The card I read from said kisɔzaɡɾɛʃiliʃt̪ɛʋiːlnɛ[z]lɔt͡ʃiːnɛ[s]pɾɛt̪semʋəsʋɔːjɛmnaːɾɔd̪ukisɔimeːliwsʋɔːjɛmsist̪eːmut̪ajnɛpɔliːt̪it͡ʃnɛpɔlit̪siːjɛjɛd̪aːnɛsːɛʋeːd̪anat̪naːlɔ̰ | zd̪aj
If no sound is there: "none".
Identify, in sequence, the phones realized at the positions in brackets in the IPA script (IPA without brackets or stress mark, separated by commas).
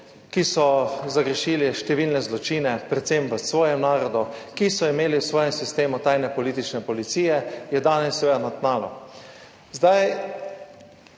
z, none